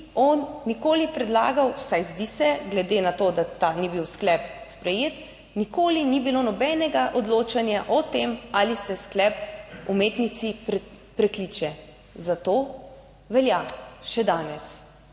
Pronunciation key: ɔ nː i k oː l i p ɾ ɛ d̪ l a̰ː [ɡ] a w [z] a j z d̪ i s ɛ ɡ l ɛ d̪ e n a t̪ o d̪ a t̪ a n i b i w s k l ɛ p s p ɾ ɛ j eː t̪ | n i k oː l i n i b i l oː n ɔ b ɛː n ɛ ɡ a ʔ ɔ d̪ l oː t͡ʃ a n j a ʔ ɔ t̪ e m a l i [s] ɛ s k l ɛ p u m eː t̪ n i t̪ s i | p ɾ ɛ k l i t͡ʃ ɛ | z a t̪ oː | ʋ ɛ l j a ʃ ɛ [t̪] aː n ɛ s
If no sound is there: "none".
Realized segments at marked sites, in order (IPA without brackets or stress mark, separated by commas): ɡ, s, s, d̪